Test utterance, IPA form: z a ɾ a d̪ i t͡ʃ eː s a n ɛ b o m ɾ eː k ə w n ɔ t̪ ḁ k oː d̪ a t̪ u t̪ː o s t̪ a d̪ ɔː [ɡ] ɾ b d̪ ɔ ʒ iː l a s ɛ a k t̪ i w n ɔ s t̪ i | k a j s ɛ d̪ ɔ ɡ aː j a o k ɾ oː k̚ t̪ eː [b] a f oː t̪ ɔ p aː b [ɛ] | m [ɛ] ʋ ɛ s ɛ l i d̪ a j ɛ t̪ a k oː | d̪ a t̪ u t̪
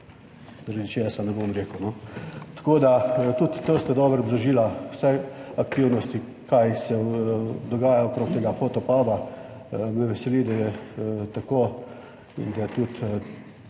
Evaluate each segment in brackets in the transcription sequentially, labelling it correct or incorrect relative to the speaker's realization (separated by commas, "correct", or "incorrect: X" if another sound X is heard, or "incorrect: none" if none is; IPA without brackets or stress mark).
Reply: incorrect: b, incorrect: ɡ, incorrect: a, correct